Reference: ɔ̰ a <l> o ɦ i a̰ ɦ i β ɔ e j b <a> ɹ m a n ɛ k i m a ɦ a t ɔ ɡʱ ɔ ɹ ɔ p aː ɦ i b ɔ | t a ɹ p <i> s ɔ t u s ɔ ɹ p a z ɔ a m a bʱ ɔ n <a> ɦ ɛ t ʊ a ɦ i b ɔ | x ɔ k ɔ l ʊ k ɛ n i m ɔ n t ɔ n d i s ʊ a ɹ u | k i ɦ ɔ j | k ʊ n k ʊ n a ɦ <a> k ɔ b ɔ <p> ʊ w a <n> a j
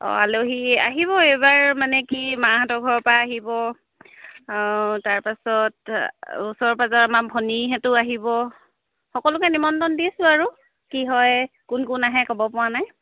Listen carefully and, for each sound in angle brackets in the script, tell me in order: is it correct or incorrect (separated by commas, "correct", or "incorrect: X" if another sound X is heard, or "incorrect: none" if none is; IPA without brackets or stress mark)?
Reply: correct, correct, incorrect: a, incorrect: i, incorrect: ɛ, correct, correct